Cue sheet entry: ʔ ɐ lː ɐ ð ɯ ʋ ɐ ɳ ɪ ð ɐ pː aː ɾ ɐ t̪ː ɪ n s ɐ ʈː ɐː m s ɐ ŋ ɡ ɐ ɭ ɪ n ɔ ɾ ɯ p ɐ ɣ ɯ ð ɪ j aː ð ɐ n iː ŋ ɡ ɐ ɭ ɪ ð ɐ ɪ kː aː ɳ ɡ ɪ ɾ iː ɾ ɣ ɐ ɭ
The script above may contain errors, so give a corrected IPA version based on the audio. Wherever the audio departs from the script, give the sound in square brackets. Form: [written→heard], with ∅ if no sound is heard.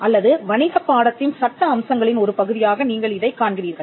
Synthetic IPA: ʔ ɐ lː ɐ ð ɯ ʋ ɐ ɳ ɪ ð ɐ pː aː [ɾ→ɽ] ɐ t̪ː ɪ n s ɐ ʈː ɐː m s ɐ ŋ ɡ ɐ ɭ ɪ n ɔ ɾ ɯ p ɐ ɣ ɯ ð ɪ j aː [ð→ɣ] ɐ n iː ŋ ɡ ɐ ɭ ɪ ð ɐ ɪ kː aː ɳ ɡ ɪ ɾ iː ɾ ɣ ɐ ɭ